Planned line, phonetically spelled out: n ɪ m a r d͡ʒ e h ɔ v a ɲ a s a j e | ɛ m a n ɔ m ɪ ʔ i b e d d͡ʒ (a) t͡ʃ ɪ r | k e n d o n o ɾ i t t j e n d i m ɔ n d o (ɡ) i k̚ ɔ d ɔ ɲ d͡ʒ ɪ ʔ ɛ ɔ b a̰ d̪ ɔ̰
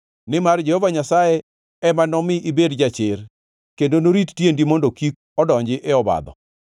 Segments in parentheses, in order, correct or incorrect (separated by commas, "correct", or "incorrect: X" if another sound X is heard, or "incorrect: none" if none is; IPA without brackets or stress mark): correct, incorrect: k